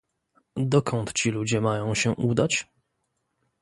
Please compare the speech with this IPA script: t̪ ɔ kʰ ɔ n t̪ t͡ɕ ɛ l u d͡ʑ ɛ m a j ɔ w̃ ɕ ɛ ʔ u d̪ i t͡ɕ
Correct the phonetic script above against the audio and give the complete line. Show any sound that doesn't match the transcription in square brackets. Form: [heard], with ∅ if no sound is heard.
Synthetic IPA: [d̪] ɔ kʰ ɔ n t̪ t͡ɕ [i] l u d͡ʑ ɛ m a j [ɔ̃] w̃ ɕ ɛ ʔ u d̪ [a] t͡ɕ